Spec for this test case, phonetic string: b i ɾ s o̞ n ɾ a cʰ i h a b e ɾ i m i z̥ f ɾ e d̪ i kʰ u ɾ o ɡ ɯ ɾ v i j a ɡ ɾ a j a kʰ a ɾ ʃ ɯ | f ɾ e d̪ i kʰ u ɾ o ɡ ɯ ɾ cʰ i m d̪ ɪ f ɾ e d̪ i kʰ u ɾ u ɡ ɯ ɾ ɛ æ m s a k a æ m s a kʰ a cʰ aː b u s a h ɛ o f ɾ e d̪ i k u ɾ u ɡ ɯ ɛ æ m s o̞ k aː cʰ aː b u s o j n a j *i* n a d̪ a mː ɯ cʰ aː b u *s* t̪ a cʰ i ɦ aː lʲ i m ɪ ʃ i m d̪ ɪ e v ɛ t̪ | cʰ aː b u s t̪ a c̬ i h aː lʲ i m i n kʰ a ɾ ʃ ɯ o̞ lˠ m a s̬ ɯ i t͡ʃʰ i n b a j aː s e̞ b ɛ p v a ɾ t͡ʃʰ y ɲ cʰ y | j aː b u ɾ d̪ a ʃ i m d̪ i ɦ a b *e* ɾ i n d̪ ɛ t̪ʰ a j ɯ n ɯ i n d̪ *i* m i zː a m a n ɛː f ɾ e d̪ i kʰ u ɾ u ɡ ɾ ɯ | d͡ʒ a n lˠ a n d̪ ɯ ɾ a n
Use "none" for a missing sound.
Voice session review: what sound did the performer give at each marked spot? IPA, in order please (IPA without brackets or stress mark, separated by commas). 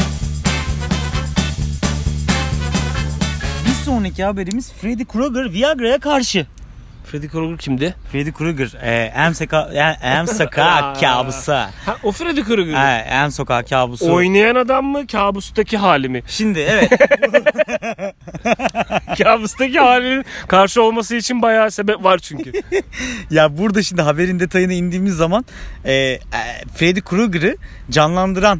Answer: a, s, e, iː